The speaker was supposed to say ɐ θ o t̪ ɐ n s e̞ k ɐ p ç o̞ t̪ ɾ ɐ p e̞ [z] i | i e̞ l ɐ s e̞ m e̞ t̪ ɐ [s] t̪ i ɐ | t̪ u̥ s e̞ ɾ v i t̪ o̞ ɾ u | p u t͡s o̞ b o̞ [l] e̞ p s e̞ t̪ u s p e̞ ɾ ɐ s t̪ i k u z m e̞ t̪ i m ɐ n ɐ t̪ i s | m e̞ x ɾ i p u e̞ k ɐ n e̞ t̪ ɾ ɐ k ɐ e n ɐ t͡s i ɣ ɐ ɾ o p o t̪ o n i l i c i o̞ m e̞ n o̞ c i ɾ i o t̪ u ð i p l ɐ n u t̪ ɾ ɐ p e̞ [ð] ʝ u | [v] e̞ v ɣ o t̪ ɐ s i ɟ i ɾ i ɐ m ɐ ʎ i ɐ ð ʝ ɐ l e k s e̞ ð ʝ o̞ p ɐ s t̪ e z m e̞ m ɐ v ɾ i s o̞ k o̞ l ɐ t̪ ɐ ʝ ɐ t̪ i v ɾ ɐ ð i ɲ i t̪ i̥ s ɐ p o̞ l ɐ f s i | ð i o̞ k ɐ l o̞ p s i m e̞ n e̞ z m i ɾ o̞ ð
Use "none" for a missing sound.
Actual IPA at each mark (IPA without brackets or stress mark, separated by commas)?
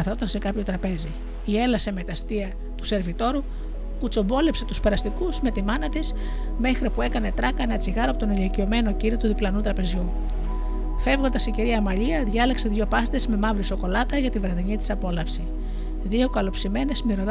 z, s, l, z, f